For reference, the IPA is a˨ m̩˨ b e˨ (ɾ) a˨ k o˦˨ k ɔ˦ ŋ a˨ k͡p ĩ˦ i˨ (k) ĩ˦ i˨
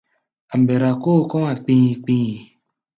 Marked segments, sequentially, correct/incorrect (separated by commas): correct, incorrect